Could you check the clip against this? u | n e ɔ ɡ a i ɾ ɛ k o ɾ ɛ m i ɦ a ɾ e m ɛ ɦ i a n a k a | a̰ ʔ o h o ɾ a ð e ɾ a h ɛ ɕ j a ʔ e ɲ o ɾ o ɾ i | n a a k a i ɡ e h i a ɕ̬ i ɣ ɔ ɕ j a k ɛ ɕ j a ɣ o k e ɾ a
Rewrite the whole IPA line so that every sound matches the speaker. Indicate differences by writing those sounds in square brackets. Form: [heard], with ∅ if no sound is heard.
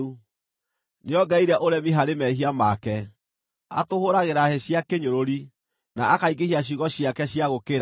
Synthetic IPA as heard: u | n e ɔ ɡ a i ɾ ɛ [ʔ] o ɾ ɛ m i ɦ a ɾ e m ɛ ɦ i a [m] a k [ɛ] | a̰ [t] o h o ɾ a [ɣ] e ɾ a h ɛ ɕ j a [k] e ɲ o ɾ o ɾ i | n a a k a i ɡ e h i a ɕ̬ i ɣ ɔ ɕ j a k ɛ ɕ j a ɣ o k e ɾ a